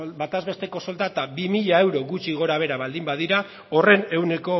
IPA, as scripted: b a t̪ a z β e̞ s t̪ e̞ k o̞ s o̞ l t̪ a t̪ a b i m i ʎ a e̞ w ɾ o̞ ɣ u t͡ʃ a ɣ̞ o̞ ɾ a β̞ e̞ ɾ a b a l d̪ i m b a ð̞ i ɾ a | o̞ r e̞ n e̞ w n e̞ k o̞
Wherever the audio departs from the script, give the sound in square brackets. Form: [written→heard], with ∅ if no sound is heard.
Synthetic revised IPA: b a t̪ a z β e̞ s t̪ e̞ k o̞ s o̞ l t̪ a t̪ a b i m i ʎ a e̞ w ɾ o̞ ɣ u t͡ʃ [a→i] ɣ̞ o̞ ɾ a β̞ e̞ ɾ a [b→β] a l d̪ i m b a ð̞ i ɾ a | o̞ r e̞ n e̞ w n e̞ k o̞